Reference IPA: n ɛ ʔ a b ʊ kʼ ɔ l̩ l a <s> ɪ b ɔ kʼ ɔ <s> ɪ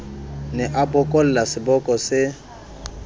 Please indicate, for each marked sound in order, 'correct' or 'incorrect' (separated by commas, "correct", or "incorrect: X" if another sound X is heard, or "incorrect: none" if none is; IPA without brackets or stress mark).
correct, correct